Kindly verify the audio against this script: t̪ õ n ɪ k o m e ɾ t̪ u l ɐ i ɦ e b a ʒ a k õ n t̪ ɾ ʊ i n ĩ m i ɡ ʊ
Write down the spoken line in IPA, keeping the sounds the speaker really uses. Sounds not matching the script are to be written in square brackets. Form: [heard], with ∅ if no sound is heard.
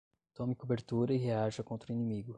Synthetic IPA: t̪ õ [m] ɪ k o [b] e ɾ t̪ u [ɾ] ɐ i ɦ e [∅] a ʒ [ɐ] k õ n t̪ ɾ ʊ i n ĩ m i ɡ ʊ